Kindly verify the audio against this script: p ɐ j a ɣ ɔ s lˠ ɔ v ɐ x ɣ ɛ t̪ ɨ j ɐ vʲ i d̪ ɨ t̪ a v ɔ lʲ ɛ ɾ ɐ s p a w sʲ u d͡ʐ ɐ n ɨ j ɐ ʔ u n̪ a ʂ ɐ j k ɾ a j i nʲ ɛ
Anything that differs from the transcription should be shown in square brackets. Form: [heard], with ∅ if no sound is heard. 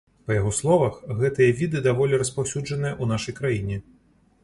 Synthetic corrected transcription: p ɐ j a ɣ ɔ s lˠ ɔ v ɐ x ɣ ɛ t̪ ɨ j ɐ vʲ i d̪ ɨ [d̪] a v ɔ lʲ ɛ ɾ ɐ s p a w sʲ u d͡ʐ ɐ n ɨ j ɐ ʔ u n̪ a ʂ ɐ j k ɾ a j i nʲ ɛ